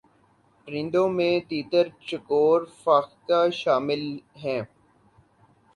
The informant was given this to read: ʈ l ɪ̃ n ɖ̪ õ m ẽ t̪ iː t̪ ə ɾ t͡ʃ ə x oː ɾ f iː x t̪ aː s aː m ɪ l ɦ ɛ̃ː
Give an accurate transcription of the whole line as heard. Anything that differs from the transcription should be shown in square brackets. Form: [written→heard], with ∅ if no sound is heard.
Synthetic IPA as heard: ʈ [l→ɾ] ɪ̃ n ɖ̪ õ m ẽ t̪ iː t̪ ə ɾ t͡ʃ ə [x→k] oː ɾ f [iː→aː] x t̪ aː [s→ʃ] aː m ɪ l ɦ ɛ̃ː

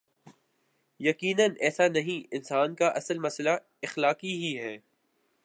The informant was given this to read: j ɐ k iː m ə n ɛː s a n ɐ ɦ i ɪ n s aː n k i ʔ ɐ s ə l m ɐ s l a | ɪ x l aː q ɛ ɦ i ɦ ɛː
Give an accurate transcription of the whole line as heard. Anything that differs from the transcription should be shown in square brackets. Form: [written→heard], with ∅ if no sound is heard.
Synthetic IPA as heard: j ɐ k iː [m→n] ə n ɛː s a n ɐ ɦ [i→ĩ] ɪ n s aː n k [i→a] ʔ ɐ s ə l m ɐ s l a | ɪ x l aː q [ɛ→i] ɦ i ɦ ɛː

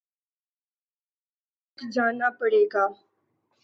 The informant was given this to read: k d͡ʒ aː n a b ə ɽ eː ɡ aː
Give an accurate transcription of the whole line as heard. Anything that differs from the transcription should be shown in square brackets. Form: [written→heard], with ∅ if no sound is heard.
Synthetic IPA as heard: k d͡ʒ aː n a [b→p] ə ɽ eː ɡ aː

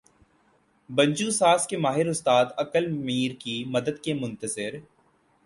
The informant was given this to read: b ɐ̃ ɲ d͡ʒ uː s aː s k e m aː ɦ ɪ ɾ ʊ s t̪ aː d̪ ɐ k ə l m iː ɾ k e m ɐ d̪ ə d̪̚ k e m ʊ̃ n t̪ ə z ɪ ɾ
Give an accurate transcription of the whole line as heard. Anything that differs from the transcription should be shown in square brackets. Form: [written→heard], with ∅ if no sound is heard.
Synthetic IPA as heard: b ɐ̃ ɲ d͡ʒ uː s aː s k e m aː ɦ ɪ ɾ ʊ s t̪ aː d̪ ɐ k ə l m iː ɾ k [e→i] m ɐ d̪ ə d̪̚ k e m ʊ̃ n t̪ ə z ɪ ɾ

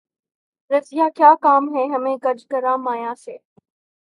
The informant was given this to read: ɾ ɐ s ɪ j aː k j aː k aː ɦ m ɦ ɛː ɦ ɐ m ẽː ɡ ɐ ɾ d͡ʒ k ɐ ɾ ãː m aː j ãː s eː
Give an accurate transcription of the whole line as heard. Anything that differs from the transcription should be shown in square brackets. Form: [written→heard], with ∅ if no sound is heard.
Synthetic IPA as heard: ɾ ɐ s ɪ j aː k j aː k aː [ɦ→∅] m ɦ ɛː ɦ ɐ m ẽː ɡ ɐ ɾ d͡ʒ k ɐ ɾ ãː m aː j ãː s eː

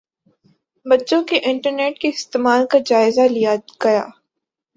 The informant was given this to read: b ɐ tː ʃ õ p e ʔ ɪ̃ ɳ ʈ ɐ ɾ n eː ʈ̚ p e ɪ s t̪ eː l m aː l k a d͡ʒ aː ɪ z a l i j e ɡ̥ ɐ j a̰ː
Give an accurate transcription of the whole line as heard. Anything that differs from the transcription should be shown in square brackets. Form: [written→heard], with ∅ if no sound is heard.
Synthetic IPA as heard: b ɐ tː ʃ õ [p→k] e ʔ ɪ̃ ɳ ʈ [ɐ→ə] ɾ n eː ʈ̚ [p→k] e ɪ s t̪ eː [l→∅] m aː l k a d͡ʒ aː ɪ z a l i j [e→a] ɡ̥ ɐ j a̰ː

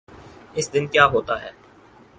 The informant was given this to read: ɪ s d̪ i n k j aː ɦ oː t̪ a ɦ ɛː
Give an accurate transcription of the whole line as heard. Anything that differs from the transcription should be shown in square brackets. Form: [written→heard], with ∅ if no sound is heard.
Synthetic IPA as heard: ɪ s d̪ [i→ɪ] n k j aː ɦ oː t̪ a ɦ ɛː

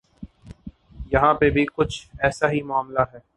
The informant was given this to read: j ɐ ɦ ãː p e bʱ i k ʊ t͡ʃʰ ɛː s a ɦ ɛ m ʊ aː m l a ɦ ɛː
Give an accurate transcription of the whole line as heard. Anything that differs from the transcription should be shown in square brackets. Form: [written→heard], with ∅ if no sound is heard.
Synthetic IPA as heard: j ɐ ɦ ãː p e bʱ i k ʊ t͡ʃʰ ɛː s a ɦ [ɛ→i] m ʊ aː m l a ɦ ɛː

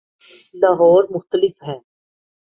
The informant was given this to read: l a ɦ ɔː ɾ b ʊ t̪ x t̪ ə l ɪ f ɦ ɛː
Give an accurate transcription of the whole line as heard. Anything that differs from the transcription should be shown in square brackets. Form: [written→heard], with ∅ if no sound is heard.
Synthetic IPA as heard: l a ɦ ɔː ɾ [b→m] ʊ [t̪→∅] x t̪ ə l ɪ f ɦ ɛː

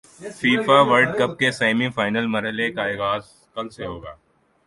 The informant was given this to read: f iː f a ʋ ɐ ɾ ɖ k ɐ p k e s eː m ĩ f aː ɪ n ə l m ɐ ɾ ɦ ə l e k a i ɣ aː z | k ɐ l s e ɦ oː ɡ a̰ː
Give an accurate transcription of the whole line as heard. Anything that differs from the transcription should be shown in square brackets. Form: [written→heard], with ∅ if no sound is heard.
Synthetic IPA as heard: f iː f a ʋ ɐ ɾ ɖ k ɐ p k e s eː m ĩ f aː ɪ n ə l m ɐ ɾ ɦ ə l e k a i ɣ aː z | k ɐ l s e ɦ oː ɡ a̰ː

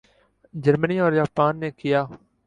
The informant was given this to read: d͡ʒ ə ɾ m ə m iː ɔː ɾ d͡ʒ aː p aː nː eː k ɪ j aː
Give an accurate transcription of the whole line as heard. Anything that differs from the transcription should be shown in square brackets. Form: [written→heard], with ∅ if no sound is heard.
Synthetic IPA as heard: d͡ʒ ə ɾ m ə [m→n] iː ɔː ɾ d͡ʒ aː p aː nː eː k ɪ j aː

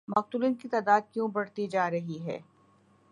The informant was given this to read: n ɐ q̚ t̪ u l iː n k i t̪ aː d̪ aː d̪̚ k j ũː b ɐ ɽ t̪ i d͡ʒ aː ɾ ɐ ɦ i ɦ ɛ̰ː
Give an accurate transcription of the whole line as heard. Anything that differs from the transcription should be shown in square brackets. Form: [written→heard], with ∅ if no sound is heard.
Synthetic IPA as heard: [n→m] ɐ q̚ t̪ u l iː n k i t̪ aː d̪ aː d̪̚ k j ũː b ɐ ɽ t̪ i d͡ʒ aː ɾ ɐ ɦ i ɦ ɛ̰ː

